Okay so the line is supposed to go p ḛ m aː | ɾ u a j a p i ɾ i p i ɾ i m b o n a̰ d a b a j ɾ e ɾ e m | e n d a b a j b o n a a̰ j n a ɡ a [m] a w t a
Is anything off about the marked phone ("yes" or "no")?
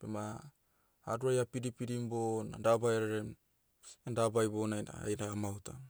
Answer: no